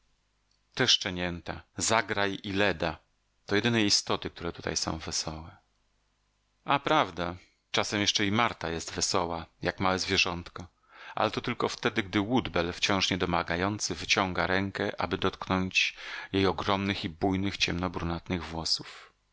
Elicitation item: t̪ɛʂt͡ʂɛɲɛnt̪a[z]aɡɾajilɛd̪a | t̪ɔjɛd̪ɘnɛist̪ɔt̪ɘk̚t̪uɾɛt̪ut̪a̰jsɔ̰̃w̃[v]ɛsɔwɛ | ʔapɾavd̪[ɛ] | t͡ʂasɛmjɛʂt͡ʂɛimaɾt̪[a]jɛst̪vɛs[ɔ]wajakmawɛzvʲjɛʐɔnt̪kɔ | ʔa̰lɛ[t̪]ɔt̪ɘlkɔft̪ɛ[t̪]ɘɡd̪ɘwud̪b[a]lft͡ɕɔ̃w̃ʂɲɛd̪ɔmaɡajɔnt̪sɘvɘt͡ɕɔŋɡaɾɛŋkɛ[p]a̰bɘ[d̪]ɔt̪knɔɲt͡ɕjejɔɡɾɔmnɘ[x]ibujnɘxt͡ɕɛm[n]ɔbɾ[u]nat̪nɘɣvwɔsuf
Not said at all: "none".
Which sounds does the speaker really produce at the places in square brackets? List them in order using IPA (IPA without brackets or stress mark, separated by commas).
z, v, a, a, ɔ, t̪, d̪, ɛ, ʔ, d̪, x, n, u